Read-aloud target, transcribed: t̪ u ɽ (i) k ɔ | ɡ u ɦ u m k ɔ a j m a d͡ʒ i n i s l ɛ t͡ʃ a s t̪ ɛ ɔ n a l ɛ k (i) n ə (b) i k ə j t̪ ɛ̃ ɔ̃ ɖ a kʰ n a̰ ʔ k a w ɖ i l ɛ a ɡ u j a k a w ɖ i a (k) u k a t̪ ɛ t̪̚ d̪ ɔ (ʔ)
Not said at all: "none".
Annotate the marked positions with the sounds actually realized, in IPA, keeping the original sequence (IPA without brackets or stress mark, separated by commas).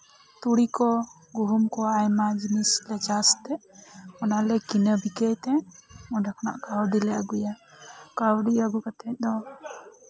i, i, b, ɡ, none